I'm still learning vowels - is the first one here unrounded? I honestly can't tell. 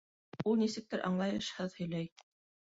no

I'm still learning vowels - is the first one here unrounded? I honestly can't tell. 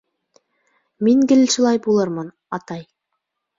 yes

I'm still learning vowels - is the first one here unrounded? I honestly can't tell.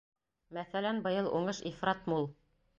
yes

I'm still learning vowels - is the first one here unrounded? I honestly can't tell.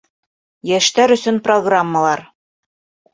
yes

